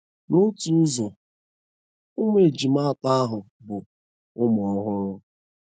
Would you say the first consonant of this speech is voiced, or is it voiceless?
voiced